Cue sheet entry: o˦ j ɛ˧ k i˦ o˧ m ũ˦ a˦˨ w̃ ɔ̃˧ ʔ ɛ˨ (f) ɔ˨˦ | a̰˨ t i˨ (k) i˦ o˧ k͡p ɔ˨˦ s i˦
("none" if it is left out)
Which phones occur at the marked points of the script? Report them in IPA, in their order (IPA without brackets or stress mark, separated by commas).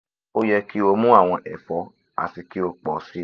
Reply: f, k